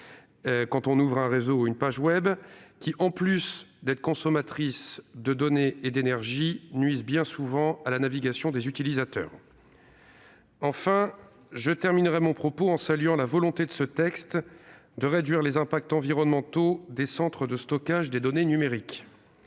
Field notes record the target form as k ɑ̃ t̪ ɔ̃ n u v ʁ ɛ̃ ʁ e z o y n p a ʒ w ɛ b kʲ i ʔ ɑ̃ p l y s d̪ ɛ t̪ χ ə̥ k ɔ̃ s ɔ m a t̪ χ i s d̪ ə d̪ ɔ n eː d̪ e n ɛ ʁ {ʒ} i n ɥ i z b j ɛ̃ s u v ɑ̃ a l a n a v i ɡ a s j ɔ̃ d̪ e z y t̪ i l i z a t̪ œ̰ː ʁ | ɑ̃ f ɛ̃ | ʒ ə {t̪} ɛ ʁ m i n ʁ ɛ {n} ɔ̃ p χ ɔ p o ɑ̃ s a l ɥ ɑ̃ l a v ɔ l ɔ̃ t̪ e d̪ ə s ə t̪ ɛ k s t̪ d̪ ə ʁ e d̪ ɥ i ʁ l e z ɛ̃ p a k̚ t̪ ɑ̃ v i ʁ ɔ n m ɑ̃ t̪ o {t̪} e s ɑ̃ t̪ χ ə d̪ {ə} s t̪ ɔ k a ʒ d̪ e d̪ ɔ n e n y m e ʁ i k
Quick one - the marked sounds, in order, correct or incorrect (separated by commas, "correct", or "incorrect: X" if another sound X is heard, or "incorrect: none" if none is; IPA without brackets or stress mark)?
correct, correct, incorrect: m, incorrect: d̪, correct